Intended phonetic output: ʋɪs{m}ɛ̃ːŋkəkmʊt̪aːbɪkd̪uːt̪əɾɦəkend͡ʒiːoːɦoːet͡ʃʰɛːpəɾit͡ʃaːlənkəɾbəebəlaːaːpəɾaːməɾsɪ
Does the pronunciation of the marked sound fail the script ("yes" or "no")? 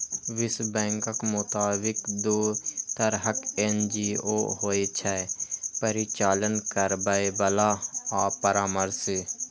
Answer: yes